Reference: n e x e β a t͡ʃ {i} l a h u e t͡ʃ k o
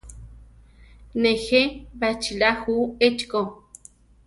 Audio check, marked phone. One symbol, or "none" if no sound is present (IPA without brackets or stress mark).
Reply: i